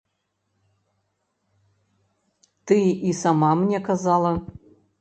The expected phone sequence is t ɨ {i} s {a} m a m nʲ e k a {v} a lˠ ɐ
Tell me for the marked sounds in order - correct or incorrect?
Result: correct, correct, incorrect

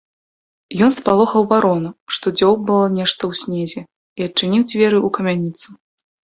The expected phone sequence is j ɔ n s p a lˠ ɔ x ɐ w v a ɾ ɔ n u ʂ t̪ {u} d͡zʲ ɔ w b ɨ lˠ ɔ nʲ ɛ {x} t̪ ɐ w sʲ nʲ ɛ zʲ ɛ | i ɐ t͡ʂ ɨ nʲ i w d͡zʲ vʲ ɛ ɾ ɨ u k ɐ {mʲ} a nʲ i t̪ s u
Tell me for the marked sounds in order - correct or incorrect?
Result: incorrect, incorrect, correct

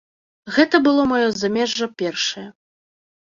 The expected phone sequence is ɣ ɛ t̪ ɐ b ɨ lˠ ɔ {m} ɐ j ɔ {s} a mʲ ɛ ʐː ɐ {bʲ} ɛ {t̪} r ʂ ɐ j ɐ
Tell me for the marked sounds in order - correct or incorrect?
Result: correct, incorrect, incorrect, incorrect

